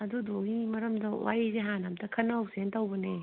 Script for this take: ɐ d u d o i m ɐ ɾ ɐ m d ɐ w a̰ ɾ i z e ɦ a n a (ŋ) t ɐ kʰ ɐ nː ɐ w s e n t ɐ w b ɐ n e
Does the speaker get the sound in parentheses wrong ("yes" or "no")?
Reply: yes